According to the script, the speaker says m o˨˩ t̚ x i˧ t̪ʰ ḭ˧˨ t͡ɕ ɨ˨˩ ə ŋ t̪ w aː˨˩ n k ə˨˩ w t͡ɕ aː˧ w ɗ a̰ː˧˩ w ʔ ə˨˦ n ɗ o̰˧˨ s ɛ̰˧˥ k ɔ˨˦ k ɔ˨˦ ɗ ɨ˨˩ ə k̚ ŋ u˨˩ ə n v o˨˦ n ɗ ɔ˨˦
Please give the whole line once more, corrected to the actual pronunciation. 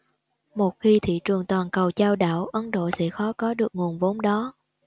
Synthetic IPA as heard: m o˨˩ t̚ x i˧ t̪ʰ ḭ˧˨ t͡ɕ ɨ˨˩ ə ŋ t̪ w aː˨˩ n k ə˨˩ w t͡ɕ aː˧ w ɗ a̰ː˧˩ w ʔ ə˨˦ n ɗ o̰˧˨ s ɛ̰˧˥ x ɔ˨˦ k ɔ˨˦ ɗ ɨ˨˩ ə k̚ ŋ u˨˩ ə n v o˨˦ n ɗ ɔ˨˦